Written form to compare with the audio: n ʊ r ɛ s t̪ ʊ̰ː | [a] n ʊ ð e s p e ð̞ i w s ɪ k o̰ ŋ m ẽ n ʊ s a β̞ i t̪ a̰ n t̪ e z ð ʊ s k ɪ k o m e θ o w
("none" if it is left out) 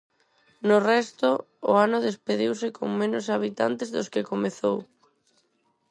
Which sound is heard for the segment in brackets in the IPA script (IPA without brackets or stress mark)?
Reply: a